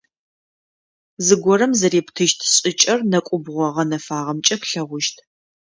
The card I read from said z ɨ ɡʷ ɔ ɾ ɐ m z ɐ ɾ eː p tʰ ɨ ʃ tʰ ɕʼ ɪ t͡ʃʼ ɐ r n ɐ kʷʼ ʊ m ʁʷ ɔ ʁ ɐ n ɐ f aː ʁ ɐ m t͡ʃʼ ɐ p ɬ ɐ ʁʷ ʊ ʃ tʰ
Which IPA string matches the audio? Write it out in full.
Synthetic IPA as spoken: z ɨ ɡʷ ɔ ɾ ɐ m z ɐ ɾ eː p tʰ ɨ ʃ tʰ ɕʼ ɪ t͡ʃʼ ɐ r n ɐ kʷʼ ʊ b ʁʷ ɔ ʁ ɐ n ɐ f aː ʁ ɐ m t͡ʃʼ ɐ p ɬ ɐ ʁʷ ʊ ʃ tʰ